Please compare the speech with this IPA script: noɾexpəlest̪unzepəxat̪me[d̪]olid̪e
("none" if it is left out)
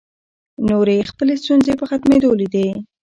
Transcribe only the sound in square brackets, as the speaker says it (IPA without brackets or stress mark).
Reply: d̪